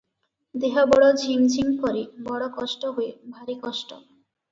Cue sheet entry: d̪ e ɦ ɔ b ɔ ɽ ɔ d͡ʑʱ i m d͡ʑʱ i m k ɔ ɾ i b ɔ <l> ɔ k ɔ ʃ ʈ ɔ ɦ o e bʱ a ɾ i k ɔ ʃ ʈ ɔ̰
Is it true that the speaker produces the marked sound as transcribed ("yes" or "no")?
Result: no